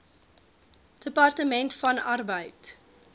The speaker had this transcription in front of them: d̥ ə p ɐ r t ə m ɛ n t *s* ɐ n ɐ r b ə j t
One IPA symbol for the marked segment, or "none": f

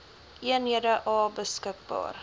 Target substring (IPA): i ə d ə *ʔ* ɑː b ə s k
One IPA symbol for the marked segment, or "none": ʔ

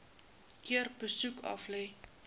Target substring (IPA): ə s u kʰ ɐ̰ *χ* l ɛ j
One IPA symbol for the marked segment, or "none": f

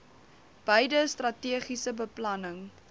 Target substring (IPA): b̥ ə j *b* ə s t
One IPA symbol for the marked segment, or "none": d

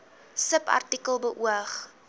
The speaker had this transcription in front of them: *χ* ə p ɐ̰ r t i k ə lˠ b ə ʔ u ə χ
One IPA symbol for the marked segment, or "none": s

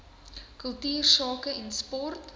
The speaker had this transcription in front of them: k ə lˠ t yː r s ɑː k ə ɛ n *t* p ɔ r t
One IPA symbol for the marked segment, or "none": s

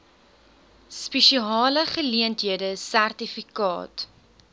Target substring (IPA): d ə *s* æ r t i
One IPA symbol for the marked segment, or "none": s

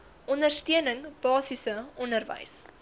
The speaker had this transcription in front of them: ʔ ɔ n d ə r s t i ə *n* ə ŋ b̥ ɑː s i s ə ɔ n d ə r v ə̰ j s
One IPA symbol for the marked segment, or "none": n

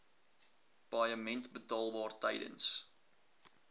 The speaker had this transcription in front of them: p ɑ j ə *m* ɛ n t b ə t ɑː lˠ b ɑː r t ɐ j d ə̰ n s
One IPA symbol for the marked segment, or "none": m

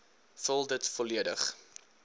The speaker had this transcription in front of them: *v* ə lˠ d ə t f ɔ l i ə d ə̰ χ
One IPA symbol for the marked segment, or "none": f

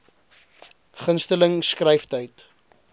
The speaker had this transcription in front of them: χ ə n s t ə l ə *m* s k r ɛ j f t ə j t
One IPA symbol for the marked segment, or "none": ŋ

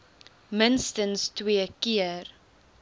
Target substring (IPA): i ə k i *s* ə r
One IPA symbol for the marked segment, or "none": none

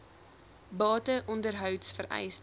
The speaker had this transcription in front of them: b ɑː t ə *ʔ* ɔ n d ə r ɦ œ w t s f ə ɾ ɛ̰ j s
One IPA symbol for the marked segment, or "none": ʔ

